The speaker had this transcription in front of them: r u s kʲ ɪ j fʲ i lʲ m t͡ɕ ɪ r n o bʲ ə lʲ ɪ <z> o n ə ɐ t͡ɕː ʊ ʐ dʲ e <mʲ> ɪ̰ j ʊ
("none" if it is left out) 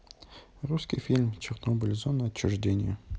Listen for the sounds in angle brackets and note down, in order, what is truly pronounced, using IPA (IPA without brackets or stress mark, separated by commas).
z, nʲ